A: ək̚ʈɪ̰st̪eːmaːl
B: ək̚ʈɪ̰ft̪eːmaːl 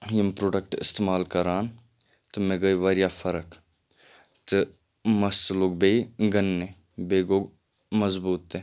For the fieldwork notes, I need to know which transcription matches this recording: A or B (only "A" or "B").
A